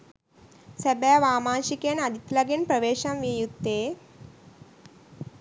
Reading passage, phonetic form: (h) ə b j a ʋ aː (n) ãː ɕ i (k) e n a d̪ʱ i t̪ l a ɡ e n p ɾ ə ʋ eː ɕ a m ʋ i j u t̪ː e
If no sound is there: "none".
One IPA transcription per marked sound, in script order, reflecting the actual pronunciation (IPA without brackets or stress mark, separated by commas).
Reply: s, m, k